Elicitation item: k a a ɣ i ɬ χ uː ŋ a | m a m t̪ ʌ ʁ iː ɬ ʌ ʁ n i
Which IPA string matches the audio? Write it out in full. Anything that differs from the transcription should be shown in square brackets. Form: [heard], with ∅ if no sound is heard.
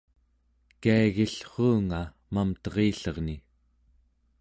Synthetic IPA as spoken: k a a ɣ i ɬ χ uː ŋ a | m a m t̪ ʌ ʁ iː ɬ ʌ ʁ n i